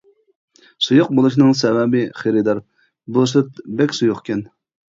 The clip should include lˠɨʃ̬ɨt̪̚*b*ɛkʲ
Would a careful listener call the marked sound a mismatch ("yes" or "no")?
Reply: no